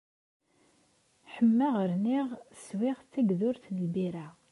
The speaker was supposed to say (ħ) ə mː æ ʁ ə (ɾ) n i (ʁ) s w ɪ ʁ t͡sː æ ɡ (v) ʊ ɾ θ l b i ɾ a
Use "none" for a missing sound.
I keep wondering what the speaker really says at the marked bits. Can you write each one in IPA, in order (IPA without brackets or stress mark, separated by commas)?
ħ, ɾ, ʁ, ð